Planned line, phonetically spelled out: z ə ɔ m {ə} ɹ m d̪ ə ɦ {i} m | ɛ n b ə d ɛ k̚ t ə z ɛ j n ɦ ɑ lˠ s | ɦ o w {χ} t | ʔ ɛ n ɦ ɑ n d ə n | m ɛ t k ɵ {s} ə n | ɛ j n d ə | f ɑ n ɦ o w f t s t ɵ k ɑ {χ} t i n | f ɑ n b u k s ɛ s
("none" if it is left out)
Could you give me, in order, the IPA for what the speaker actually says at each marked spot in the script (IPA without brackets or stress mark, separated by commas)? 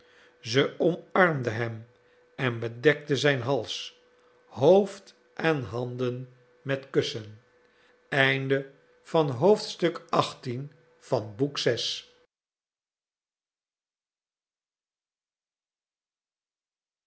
ɑ, ɛ, f, s, χ